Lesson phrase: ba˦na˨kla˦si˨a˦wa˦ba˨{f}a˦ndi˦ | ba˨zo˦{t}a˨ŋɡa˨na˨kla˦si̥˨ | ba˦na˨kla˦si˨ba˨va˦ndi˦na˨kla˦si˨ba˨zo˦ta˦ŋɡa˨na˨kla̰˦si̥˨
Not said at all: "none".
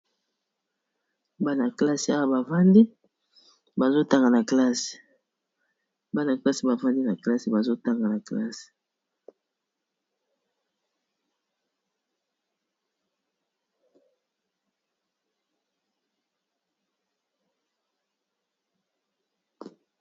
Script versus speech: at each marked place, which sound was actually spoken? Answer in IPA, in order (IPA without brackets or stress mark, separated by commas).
v, t